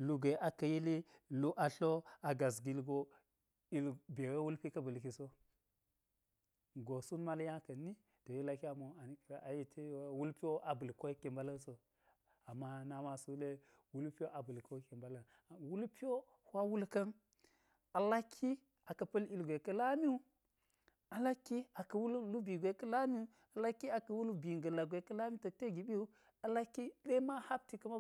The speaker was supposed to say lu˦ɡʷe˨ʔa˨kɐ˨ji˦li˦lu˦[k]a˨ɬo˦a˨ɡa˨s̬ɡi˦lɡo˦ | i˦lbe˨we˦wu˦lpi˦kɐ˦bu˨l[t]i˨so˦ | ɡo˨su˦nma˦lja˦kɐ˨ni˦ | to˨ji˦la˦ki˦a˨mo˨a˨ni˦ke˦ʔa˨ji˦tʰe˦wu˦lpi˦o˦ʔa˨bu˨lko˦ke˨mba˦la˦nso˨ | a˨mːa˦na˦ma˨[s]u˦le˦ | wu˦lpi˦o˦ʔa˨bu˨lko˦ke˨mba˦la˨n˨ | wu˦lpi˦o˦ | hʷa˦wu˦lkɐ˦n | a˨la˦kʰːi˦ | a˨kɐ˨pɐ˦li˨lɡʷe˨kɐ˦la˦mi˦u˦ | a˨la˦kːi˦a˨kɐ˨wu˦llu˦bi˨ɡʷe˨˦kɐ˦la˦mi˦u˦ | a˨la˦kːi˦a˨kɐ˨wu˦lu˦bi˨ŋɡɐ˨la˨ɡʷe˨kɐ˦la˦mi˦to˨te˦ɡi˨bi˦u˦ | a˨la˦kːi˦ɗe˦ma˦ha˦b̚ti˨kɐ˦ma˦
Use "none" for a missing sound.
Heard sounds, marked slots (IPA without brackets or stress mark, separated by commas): ʔ, k, s